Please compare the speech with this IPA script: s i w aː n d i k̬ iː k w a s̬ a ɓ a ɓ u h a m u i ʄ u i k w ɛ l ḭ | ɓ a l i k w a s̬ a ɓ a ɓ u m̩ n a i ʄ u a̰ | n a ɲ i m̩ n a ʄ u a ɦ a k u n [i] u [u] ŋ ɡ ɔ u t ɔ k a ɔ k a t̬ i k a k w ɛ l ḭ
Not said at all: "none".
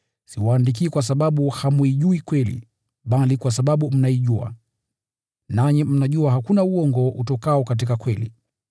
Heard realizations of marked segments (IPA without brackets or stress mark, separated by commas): a, ɔ